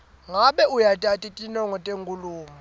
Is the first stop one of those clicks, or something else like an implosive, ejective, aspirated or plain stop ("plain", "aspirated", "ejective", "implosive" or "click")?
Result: implosive